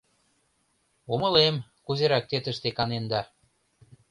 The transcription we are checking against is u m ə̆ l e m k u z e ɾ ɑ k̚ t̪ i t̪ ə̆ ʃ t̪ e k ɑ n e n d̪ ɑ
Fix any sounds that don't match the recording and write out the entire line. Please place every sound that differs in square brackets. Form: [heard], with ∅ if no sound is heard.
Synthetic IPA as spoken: u m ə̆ l e m k u z e ɾ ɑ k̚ t̪ [e] t̪ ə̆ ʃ t̪ e k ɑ n e n d̪ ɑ